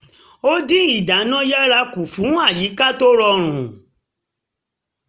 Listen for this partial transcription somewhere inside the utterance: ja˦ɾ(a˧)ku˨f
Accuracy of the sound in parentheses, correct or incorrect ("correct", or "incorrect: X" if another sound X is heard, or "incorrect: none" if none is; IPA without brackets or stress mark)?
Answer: correct